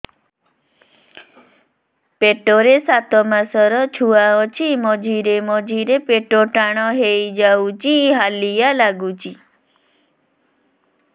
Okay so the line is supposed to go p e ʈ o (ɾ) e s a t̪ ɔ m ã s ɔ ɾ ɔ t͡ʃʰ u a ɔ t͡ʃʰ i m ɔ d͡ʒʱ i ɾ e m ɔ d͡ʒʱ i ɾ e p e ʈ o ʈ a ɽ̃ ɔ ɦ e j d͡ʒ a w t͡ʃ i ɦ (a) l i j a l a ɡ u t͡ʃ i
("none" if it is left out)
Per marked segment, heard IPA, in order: ɾ, a

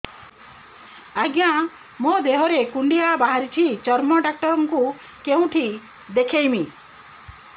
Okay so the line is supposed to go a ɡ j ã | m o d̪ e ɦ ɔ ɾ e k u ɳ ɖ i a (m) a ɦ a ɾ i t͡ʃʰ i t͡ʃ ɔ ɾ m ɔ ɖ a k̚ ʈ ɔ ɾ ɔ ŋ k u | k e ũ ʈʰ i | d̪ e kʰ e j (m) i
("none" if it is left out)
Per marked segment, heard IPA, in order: b, m

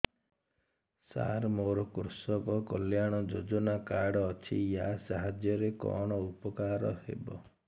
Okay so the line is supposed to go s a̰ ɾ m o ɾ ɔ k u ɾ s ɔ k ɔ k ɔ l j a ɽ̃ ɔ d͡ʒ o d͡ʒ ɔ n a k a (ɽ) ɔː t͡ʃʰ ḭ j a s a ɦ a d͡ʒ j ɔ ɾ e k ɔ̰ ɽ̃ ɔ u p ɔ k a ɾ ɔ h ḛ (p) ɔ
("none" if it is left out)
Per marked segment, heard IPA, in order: ɽ, b

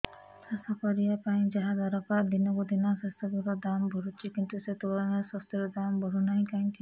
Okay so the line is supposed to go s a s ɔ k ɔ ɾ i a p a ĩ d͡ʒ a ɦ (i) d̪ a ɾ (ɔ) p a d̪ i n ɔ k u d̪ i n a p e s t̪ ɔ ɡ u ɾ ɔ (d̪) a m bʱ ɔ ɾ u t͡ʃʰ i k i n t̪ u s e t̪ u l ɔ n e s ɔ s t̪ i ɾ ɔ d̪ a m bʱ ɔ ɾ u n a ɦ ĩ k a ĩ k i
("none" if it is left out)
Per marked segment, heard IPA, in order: a, ɔ, d̪

